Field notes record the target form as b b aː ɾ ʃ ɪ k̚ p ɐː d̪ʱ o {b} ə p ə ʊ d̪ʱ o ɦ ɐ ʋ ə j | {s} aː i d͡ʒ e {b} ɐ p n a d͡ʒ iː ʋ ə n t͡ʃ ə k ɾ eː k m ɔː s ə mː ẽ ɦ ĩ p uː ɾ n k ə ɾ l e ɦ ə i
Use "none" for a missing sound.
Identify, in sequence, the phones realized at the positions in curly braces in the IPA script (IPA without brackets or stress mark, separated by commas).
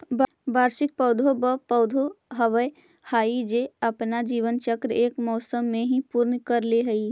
b, h, none